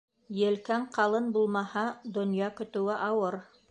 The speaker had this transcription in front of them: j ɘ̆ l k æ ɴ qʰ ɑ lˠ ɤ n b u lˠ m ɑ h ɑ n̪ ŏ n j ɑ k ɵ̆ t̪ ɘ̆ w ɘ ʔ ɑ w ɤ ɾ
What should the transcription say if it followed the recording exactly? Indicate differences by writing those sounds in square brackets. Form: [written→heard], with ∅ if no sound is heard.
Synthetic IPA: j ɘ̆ l k æ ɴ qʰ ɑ lˠ ɤ n b u lˠ m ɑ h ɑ [n̪→d̪] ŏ n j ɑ k ɵ̆ t̪ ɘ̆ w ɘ ʔ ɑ w ɤ ɾ

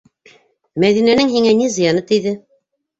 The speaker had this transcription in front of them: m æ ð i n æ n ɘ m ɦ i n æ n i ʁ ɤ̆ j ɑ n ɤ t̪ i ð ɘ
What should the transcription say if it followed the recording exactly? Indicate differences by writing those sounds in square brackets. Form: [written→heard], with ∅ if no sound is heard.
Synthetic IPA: m æ ð i n æ n ɘ [m→ŋ] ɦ i [n→ŋ] æ n i [ʁ→z] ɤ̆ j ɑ n ɤ t̪ i ð ɘ

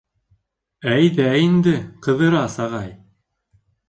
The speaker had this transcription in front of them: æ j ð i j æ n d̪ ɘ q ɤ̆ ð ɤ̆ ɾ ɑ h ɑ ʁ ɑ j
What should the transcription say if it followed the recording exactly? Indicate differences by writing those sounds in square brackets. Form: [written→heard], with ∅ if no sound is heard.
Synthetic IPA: æ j ð [i→æ] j [æ→i] n d̪ ɘ q ɤ̆ ð ɤ̆ ɾ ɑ [h→s] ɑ ʁ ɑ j

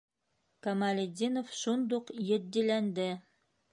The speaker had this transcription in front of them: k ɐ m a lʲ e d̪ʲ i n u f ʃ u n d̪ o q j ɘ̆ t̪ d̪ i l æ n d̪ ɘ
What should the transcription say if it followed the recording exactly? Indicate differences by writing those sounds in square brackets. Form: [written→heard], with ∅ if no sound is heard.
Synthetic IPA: k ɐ m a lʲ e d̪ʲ i n [u→o] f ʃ u n d̪ [o→u] q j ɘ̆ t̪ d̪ i l æ n d̪ ɘ

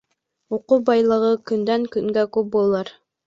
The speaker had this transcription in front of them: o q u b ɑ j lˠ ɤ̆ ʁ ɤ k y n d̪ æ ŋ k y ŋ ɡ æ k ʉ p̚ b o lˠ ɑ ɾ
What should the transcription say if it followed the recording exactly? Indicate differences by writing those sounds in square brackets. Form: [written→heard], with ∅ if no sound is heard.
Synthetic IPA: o q u b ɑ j lˠ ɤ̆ ʁ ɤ k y n d̪ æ ŋ k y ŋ ɡ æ k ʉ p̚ b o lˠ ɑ ɾ

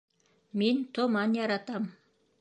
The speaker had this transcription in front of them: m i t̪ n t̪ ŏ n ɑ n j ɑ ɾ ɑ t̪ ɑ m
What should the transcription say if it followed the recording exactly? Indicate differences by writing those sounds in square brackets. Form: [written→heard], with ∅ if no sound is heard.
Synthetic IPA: m i [t̪→∅] n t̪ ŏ [n→m] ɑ n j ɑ ɾ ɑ t̪ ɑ m

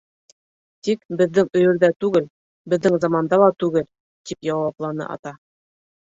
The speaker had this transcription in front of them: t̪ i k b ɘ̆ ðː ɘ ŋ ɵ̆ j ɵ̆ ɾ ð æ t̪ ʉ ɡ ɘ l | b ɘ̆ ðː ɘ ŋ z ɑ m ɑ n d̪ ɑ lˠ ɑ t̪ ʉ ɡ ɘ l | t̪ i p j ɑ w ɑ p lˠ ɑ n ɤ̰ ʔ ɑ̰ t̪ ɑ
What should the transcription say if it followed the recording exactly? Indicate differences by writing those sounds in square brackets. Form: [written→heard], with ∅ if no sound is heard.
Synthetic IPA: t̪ i k b ɘ̆ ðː ɘ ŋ ɵ̆ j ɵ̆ ɾ ð æ t̪ ʉ ɡ ɘ l | b ɘ̆ ðː ɘ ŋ z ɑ m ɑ n d̪ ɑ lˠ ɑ t̪ ʉ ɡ ɘ l | t̪ i p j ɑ w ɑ p lˠ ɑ n ɤ̰ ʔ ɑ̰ t̪ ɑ

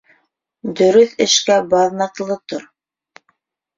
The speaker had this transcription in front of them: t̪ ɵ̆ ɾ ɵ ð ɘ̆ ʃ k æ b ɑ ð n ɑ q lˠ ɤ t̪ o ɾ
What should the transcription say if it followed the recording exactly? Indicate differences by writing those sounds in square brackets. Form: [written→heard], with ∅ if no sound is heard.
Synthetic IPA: [t̪→d̪] ɵ̆ ɾ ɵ [ð→θ] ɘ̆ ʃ k æ b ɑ ð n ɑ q lˠ ɤ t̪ o ɾ

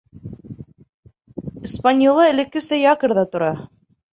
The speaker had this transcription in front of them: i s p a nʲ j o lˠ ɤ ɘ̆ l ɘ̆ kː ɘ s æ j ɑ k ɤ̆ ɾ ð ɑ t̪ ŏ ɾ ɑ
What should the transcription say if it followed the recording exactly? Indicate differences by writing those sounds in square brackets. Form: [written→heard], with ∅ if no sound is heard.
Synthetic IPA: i s p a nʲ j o lˠ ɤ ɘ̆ l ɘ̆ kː ɘ s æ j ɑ k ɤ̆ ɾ ð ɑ t̪ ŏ ɾ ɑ

